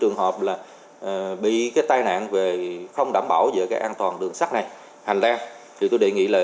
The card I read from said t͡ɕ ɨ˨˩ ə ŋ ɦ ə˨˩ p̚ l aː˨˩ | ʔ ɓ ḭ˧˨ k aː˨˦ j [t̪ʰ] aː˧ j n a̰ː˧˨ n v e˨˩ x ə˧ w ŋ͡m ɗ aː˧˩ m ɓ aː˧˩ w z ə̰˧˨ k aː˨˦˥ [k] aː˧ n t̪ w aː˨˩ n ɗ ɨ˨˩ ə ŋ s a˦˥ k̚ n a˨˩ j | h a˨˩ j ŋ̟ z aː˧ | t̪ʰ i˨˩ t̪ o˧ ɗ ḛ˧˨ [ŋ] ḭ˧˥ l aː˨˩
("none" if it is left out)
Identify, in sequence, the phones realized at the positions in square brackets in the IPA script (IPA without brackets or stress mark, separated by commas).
t̪, ʔ, ŋ